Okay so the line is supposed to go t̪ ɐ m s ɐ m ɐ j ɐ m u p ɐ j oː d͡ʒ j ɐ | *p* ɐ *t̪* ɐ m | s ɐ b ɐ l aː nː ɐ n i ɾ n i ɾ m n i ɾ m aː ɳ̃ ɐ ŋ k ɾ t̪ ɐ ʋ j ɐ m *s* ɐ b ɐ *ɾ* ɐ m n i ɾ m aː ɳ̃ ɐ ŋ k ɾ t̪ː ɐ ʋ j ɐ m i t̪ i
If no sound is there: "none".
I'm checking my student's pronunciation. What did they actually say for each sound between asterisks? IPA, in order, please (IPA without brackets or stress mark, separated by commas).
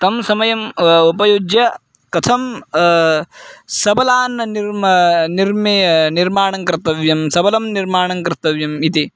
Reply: k, t̪ʰ, s, l